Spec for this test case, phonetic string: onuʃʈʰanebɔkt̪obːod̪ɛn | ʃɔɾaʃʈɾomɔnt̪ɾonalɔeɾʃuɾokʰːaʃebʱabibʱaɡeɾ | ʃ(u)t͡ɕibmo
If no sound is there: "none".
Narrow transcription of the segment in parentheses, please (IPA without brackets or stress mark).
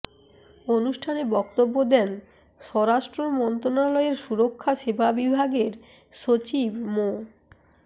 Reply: o